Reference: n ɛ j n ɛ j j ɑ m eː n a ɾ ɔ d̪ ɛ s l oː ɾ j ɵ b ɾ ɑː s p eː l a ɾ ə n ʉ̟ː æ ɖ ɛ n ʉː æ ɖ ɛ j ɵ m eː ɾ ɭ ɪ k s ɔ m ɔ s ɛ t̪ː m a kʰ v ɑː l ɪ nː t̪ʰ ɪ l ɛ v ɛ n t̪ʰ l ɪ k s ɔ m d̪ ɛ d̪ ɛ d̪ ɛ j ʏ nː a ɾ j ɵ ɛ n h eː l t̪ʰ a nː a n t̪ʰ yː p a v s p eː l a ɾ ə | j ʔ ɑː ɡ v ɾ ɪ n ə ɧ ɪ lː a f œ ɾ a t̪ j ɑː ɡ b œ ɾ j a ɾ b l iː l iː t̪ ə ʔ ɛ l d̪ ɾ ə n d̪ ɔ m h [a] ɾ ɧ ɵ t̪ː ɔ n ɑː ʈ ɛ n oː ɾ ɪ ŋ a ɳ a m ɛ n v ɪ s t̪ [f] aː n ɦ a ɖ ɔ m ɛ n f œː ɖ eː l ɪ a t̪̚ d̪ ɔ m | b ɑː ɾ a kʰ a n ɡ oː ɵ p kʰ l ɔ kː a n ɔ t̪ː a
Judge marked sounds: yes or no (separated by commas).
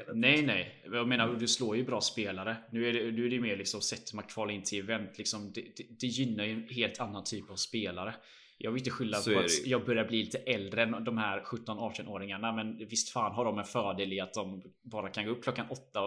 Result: no, yes